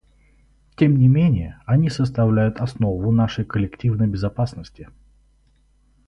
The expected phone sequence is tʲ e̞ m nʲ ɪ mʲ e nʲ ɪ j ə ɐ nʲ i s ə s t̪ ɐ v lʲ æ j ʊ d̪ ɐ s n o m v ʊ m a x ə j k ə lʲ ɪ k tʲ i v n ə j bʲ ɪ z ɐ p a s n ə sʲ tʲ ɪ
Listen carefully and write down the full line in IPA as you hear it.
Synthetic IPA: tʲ e̞ m nʲ ɪ mʲ e nʲ ɪ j ə ɐ nʲ i s ə s t̪ ɐ v lʲ æ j ʊ t̪ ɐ s n o v ʊ n a ʂ ə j k ə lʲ ɪ k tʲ i v n ə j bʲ ɪ z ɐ p a s n ə sʲ tʲ ɪ